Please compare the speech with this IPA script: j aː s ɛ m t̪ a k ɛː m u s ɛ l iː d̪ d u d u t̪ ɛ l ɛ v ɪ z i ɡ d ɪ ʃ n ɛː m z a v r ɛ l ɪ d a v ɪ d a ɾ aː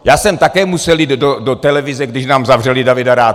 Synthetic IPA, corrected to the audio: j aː s ɛ m t̪ a k ɛː m u s ɛ l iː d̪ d o d o t̪ ɛ l ɛ v ɪ z ɛ ɡ d ɪ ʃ n aː m z a v r ɛ l ɪ d a v ɪ d a ɾ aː